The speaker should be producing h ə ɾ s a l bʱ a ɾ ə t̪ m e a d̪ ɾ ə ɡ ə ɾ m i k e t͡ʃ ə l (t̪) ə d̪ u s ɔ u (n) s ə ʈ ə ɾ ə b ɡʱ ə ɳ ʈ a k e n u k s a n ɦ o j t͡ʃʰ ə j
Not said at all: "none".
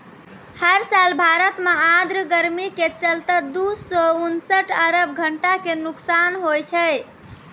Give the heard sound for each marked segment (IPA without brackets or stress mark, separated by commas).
t̪, n